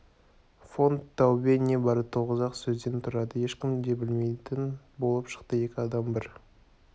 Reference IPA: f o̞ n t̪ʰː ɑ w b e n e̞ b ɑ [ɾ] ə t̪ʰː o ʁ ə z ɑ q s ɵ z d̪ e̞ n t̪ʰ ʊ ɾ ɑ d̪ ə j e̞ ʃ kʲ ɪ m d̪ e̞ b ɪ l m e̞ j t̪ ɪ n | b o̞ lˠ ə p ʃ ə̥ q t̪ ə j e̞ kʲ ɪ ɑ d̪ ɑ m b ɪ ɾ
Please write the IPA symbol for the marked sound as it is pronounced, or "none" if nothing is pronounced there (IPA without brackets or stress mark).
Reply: ɾ